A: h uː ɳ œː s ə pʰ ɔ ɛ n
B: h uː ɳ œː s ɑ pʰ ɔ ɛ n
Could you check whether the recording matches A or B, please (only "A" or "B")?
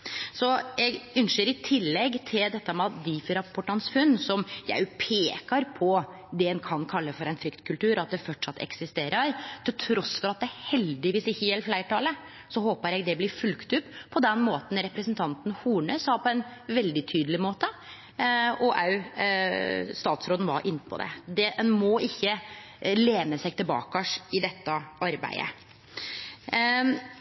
B